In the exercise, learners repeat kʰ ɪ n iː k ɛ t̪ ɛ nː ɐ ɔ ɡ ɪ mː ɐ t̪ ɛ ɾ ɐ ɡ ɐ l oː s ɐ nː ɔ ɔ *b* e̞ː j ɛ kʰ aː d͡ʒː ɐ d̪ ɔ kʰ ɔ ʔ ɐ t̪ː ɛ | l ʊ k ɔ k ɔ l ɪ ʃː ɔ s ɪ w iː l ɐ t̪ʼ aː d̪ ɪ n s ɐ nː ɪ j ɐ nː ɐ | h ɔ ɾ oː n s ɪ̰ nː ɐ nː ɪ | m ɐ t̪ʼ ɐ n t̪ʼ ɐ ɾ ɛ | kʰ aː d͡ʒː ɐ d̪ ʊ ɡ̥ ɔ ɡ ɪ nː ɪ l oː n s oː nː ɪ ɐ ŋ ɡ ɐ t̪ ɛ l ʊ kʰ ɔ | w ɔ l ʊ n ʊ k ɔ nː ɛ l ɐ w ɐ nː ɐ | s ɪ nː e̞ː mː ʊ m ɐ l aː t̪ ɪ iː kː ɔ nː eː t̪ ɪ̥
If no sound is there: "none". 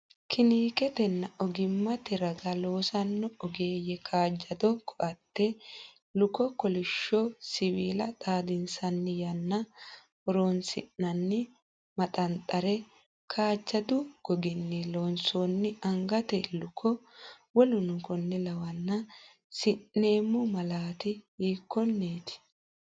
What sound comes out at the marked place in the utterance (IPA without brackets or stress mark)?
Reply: ɡ